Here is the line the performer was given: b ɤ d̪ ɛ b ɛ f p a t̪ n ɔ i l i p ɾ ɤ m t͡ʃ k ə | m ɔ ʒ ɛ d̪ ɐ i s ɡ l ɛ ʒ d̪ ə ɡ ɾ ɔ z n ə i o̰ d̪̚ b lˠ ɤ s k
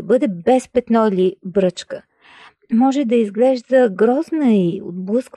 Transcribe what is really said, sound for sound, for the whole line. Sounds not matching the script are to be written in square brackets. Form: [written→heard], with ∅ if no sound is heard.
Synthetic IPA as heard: b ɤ d̪ ɛ b ɛ [f→s] p [a→ɛ] t̪ n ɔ i l i [p→b] ɾ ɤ [m→∅] t͡ʃ k ə | m ɔ ʒ ɛ d̪ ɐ i [s→z] ɡ l ɛ ʒ d̪ ə ɡ ɾ ɔ z n ə i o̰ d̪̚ b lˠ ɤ s k